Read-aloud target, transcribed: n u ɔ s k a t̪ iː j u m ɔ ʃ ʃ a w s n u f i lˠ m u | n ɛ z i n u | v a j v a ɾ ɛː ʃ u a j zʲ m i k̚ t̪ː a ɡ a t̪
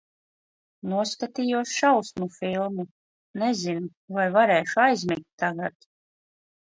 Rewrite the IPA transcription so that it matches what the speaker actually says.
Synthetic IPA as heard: n u ɔ s k a t̪ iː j u ɔ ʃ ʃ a w s m u f i lˠ m u | n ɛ z i n u | v a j v a ɾ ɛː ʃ u a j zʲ m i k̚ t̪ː a ɡ a t̪